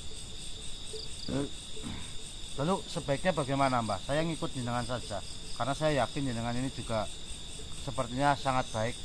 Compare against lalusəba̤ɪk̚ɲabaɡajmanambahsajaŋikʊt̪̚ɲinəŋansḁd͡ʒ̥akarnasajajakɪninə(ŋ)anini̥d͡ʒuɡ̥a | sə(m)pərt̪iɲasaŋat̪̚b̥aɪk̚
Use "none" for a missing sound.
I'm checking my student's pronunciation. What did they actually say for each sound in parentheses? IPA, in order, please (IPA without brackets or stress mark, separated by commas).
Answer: ŋ, none